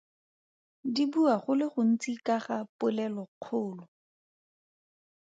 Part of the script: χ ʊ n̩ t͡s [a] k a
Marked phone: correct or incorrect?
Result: incorrect: i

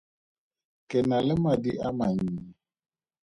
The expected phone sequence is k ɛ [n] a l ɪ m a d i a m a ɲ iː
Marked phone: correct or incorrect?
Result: correct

